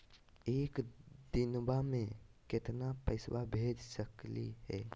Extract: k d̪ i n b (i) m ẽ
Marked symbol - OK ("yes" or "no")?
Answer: no